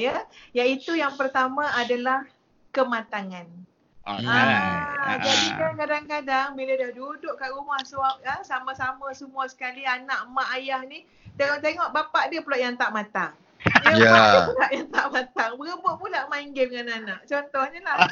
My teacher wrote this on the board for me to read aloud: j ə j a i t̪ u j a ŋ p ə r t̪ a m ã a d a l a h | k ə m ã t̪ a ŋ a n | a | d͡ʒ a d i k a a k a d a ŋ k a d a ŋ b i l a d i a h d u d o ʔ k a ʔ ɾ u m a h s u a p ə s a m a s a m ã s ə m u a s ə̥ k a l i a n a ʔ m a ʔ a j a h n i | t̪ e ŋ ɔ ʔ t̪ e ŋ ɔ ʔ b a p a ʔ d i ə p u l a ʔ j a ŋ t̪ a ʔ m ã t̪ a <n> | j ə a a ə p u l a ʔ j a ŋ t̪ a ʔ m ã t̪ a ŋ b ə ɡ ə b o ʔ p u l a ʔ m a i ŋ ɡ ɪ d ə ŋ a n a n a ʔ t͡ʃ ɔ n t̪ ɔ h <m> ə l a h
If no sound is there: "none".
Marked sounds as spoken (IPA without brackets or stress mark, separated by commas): ŋ, ɲ